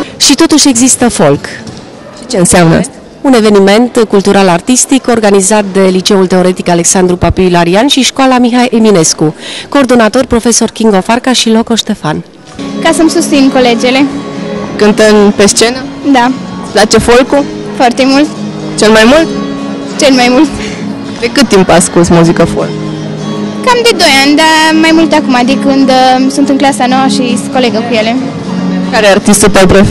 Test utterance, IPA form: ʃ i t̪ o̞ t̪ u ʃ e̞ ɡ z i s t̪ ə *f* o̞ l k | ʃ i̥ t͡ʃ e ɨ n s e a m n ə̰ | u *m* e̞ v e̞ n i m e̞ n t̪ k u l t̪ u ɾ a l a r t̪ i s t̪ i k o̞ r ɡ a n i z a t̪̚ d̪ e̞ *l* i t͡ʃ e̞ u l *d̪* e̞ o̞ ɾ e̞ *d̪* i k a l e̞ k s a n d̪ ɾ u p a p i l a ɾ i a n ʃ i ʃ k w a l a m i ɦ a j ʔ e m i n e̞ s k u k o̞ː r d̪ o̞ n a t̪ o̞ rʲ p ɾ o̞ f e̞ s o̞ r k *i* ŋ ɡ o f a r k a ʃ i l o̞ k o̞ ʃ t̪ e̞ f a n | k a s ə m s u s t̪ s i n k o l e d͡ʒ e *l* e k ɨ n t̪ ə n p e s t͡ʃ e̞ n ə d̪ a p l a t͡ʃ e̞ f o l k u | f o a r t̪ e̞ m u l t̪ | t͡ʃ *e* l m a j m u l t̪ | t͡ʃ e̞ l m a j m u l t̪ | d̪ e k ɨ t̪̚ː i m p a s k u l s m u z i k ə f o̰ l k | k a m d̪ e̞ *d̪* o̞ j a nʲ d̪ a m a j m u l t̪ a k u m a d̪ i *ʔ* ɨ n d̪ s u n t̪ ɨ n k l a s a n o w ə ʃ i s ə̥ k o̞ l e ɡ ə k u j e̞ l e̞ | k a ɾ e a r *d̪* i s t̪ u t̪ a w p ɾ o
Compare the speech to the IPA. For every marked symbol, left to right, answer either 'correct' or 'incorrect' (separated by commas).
correct, incorrect, correct, incorrect, incorrect, correct, correct, correct, correct, incorrect, incorrect